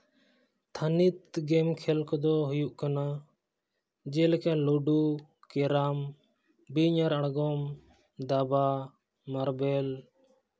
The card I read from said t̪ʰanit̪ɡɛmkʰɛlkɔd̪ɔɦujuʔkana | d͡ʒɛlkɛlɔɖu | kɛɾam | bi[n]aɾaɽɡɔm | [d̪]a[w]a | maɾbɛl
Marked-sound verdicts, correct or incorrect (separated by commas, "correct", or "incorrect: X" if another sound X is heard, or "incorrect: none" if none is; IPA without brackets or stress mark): incorrect: ɲ, correct, incorrect: b